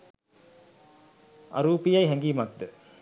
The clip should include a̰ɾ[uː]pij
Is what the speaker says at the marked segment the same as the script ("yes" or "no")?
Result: yes